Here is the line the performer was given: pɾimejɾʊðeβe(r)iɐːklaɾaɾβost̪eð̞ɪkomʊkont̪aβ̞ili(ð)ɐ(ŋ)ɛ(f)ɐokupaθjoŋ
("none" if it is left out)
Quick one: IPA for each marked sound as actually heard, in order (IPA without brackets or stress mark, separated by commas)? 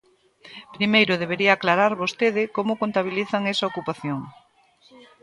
ɾ, θ, ŋ, s